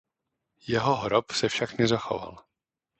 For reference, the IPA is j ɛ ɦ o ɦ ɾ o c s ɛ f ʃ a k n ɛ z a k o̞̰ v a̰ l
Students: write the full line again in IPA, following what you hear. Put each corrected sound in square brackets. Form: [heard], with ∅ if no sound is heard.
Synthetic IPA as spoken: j ɛ ɦ o ɦ ɾ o [p] s ɛ f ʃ a k n ɛ z a [x] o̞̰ v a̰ l